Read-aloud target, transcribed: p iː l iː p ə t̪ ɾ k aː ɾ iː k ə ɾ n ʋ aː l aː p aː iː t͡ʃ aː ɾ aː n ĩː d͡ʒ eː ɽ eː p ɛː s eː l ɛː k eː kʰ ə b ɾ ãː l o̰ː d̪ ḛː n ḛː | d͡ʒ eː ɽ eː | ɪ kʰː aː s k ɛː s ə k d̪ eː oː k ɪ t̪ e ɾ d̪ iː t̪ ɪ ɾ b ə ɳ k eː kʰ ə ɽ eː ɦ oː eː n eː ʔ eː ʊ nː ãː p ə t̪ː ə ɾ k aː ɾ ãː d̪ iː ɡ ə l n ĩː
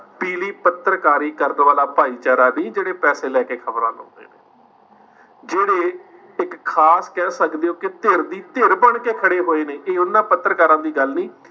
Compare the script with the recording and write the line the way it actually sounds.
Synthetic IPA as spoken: p iː l iː p ə t̪ ɾ k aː ɾ iː k ə ɾ n ʋ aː l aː p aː iː t͡ʃ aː ɾ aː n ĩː d͡ʒ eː ɽ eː p ɛː s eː l ɛː k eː kʰ ə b ɾ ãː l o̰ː d̪ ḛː n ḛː | d͡ʒ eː ɽ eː | ɪ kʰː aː s k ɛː s ə k d̪ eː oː k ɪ t̪ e ɾ d̪ iː t̪ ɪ ɾ b ə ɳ k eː kʰ ə ɽ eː ɦ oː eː n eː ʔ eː ʊ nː ãː p ə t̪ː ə ɾ k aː ɾ ãː d̪ iː ɡ ə l n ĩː

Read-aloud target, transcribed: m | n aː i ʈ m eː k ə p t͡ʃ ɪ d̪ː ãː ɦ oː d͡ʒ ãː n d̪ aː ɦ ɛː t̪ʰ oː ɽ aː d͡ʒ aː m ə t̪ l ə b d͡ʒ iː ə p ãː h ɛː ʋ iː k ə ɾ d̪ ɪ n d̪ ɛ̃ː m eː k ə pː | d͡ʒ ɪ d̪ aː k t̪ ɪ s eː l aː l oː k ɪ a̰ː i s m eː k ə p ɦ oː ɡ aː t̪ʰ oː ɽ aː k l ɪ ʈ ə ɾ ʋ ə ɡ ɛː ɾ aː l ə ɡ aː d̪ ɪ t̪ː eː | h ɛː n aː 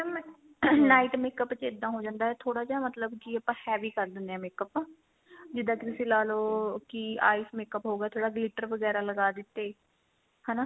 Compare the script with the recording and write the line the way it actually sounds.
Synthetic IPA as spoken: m | n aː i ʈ m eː k ə p t͡ʃ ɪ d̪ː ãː ɦ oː d͡ʒ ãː n d̪ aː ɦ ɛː t̪ʰ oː ɽ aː d͡ʒ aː m ə t̪ l ə b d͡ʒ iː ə p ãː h ɛː ʋ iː k ə ɾ d̪ ɪ n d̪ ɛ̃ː m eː k ə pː | d͡ʒ ɪ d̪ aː k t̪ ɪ s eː l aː l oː k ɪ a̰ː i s m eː k ə p ɦ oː ɡ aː t̪ʰ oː ɽ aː ɡ l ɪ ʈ ə ɾ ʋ ə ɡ ɛː ɾ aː l ə ɡ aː d̪ ɪ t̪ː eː | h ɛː n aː

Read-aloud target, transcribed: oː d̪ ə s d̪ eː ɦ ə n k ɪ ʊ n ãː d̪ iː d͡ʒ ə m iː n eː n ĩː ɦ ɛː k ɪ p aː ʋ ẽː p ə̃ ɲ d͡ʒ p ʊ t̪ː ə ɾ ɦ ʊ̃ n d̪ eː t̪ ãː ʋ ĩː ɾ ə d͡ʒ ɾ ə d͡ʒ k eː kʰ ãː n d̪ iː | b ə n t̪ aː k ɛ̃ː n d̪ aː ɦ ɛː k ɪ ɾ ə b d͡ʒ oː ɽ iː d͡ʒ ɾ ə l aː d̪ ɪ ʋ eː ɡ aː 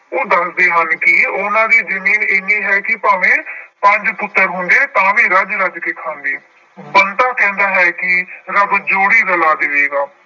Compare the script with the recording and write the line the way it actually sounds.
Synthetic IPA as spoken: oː d̪ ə s d̪ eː ɦ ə n k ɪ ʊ n ãː d̪ iː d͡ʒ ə m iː n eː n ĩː ɦ ɛː k ɪ p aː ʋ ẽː p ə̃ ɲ d͡ʒ p ʊ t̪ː ə ɾ ɦ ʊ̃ n d̪ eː t̪ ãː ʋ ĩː ɾ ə d͡ʒ ɾ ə d͡ʒ k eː kʰ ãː n d̪ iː | b ə n t̪ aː k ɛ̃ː n d̪ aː ɦ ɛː k ɪ ɾ ə b d͡ʒ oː ɽ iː ɾ ə l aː d̪ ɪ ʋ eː ɡ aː

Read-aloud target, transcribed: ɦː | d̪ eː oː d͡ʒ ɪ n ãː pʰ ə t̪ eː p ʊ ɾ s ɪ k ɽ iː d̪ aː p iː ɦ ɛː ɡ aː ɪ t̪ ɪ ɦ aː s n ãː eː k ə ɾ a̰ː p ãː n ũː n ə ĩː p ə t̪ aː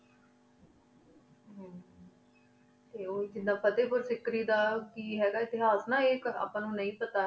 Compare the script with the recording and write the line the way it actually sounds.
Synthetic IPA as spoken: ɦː | t̪ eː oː d͡ʒ ɪ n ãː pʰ ə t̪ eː p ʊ ɾ s ɪ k ɾ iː d̪ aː k iː ɦ ɛː ɡ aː ɪ t̪ ɪ ɦ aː s n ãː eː k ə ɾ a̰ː p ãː n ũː n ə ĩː p ə t̪ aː

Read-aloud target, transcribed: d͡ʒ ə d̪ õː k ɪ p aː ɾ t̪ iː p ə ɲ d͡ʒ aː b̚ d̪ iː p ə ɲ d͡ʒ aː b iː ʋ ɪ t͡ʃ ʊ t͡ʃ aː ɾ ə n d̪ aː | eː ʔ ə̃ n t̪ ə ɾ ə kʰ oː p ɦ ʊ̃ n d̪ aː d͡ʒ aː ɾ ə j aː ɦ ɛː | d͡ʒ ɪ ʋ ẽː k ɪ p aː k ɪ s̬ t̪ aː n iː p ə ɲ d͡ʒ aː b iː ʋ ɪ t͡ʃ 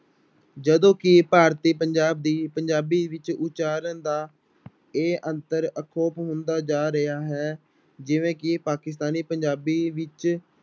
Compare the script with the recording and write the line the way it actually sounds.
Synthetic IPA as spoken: d͡ʒ ə d̪ õː k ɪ p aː ɾ t̪ iː p ə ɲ d͡ʒ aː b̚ d̪ iː p ə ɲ d͡ʒ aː b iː ʋ ɪ t͡ʃ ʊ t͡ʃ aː ɾ ə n d̪ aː | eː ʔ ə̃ n t̪ ə ɾ ə kʰ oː p ɦ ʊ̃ n d̪ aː d͡ʒ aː ɾ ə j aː ɦ ɛː | d͡ʒ ɪ ʋ ẽː k ɪ p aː k ɪ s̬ t̪ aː n iː p ə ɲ d͡ʒ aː b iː ʋ ɪ t͡ʃ

